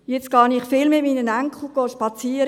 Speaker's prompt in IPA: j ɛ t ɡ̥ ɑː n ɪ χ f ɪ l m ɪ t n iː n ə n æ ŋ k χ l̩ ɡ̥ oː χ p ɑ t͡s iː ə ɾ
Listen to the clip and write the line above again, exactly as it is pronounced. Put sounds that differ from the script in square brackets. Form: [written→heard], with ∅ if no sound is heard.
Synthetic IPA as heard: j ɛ [t→t͡s] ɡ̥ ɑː n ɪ χ f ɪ l m ɪ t [n→m] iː n ə n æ ŋ k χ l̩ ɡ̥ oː [χ→ʃ] p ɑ t͡s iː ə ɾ